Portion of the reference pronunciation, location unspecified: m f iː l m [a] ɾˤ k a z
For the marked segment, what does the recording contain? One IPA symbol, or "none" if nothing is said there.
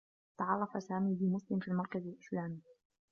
ɑ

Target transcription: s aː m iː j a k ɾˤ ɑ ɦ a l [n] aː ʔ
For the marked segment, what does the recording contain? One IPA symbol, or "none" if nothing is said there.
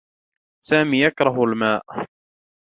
m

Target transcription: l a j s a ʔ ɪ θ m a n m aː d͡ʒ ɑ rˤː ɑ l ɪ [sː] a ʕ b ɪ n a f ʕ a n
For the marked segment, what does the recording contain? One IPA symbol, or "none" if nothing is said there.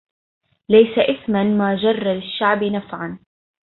ʃː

